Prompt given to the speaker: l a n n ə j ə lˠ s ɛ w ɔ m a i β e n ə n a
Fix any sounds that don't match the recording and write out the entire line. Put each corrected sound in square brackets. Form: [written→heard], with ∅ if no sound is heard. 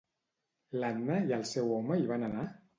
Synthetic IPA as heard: l a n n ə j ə lˠ s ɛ w ɔ m [a→ə] i β [e→a] n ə n a

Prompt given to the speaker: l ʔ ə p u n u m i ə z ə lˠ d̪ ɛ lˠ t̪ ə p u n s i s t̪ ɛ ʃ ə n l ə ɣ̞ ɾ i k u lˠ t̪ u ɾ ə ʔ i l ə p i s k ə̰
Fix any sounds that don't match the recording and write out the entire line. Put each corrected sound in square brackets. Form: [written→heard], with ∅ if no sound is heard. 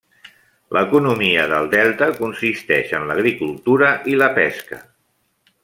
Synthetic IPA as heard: l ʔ ə [p→k] u n u m i ə [z→ð] ə lˠ d̪ ɛ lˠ t̪ ə [p→k] u n s i s t̪ ɛ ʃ ə n l ə ɣ̞ ɾ i k u lˠ t̪ u ɾ ə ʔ i l ə p [i→ɛ] s k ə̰

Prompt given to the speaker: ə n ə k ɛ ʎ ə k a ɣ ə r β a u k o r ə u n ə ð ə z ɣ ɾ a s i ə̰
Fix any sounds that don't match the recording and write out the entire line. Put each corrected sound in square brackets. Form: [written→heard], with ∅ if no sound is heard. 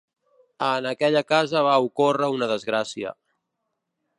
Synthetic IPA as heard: ə n ə k ɛ ʎ ə k a [ɣ→z] ə [r→∅] β a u k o r ə u n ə ð ə z ɣ ɾ a s i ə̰

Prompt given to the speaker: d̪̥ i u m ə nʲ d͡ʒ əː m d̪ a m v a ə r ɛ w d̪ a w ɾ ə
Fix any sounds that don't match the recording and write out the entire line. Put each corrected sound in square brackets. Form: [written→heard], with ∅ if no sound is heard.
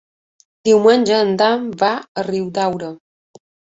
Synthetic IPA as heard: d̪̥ i [u→w] m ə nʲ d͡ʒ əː [m→n] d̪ a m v a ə r [ɛ→i] w d̪ a w ɾ ə

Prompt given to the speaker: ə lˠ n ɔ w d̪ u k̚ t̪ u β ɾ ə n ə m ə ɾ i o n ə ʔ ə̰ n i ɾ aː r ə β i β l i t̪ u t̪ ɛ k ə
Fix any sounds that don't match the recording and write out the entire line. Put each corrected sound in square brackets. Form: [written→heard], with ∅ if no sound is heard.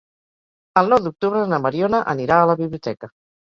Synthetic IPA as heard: ə lˠ n ɔ w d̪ u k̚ t̪ u β ɾ ə n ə m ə ɾ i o n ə ʔ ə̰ n i ɾ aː [r→l] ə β i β l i [t̪→∅] u t̪ ɛ k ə

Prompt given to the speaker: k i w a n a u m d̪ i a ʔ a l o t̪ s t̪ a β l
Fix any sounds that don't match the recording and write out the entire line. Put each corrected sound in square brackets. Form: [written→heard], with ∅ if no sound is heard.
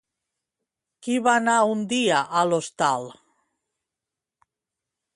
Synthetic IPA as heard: k i [w→β] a n a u [m→n] d̪ i a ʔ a l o [t̪→∅] s t̪ a [β→∅] l

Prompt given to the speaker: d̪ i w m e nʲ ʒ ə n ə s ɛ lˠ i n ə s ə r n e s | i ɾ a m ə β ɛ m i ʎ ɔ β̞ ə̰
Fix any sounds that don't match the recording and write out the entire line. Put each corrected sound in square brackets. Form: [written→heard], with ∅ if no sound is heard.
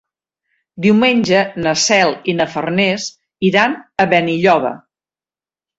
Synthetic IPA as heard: d̪ i w m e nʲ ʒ ə n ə s ɛ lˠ i n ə [s→f] ə r n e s | i ɾ a [m→n] ə β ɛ [m→n] i ʎ ɔ β̞ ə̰

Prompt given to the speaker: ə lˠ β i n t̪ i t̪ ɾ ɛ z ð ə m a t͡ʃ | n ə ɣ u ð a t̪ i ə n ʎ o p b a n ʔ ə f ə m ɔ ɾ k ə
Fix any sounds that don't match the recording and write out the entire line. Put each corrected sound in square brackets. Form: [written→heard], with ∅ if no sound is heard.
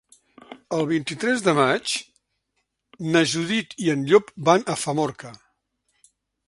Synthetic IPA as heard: ə lˠ β i n t̪ i t̪ ɾ ɛ z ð ə m a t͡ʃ | n ə [ɣ→ʒ] u ð [a→i] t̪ i ə n ʎ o p b a n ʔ ə f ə m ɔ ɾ k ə

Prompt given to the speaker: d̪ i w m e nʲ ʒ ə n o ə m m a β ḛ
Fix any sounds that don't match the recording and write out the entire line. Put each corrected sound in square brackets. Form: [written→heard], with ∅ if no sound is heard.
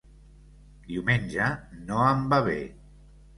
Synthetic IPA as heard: d̪ i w m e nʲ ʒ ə n o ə m [m→b] a β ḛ

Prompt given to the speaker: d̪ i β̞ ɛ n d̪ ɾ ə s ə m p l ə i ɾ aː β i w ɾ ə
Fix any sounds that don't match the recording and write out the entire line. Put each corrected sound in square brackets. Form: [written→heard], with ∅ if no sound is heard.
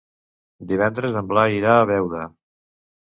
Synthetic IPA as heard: d̪ i β̞ ɛ n d̪ ɾ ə [s→z] ə m [p→b] l [ə→a] i ɾ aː β [i→ɛ] w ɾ ə

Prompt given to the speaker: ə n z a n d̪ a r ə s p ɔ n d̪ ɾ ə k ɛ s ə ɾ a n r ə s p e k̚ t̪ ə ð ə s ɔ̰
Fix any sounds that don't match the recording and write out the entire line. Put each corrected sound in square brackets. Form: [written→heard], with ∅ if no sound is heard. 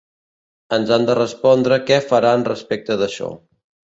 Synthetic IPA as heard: ə n z a n d̪ [a→ə] r ə s p ɔ n d̪ ɾ ə k ɛ [s→f] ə ɾ a n r ə s p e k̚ t̪ ə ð ə [s→ʃ] ɔ̰

